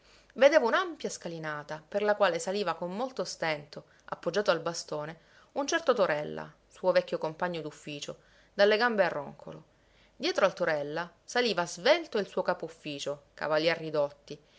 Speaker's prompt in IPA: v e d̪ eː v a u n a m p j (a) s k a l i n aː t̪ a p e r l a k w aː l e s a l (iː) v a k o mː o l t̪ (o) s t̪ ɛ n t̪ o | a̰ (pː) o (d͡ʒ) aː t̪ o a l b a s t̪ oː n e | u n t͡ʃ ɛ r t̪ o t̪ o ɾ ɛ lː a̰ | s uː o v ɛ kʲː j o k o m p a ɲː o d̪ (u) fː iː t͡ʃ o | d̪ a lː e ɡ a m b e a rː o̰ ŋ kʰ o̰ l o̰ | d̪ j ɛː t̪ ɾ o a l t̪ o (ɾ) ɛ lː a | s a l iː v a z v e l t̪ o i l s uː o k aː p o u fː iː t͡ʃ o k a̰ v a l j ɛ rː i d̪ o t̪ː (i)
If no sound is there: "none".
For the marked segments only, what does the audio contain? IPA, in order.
a, iː, o, pː, d͡ʒː, u, ɾ, i

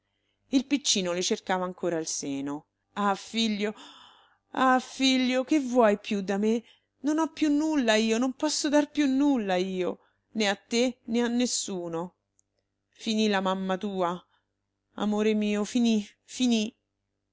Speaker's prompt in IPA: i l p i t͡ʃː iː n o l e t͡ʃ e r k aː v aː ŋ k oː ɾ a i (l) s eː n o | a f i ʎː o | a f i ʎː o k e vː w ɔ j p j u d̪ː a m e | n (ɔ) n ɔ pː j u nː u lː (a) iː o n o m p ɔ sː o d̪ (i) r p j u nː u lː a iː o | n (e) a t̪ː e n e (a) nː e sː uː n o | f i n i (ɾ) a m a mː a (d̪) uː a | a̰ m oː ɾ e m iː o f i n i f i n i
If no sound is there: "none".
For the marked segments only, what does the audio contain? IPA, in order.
l, o, a, a, e, a, l, t̪

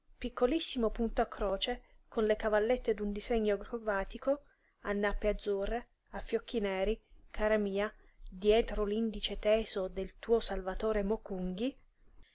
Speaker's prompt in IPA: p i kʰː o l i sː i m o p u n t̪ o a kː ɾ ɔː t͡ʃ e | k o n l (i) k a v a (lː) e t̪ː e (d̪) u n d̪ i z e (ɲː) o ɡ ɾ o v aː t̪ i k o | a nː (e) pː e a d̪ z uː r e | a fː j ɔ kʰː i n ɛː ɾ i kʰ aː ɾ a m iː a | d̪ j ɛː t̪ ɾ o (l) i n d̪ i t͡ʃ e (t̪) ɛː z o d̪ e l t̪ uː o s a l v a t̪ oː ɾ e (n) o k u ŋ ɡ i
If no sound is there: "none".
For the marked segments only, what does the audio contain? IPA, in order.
e, lː, d̪, ɲː, a, l, t̪, m

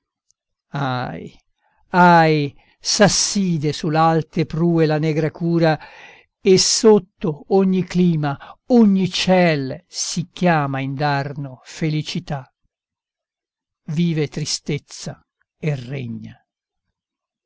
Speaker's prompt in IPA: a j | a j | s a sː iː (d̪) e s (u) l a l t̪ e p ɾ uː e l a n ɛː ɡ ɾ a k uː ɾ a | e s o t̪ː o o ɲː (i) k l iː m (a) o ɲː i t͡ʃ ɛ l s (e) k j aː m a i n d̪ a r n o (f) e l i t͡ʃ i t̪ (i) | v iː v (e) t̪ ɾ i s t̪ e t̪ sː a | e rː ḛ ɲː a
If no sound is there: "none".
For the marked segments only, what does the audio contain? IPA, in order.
d̪, u, i, a, i, f, a, e

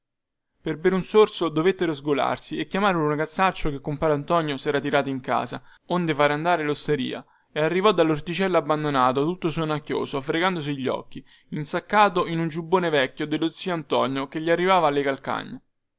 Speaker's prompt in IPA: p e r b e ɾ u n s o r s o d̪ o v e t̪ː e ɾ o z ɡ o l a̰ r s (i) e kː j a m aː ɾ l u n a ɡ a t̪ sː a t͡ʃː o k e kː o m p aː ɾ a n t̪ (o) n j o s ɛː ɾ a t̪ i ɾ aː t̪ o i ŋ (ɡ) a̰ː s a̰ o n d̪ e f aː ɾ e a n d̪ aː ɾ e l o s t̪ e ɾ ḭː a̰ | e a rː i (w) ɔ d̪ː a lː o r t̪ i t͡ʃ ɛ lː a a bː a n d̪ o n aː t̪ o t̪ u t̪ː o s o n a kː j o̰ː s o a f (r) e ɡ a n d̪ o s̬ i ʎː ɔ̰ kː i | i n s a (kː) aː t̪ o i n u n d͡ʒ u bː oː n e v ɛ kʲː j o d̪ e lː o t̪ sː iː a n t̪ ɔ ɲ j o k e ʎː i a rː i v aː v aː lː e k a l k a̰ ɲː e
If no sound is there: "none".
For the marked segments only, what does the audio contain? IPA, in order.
i, ɔ, k, v, ɾ, kː

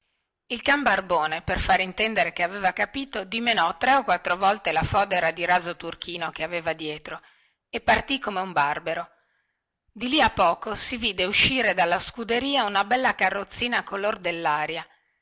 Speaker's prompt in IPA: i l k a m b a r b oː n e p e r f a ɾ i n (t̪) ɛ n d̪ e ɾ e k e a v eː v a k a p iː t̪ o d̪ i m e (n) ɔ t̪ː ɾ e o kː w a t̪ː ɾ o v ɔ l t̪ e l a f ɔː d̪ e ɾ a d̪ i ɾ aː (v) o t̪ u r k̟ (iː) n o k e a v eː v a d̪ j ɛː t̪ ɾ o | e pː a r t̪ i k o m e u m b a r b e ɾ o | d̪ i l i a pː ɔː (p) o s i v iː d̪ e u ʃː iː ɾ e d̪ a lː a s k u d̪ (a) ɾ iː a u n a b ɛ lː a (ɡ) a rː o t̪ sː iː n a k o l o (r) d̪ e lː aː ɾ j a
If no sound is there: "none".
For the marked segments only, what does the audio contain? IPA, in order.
t̪, n, z, iː, k, e, k, r

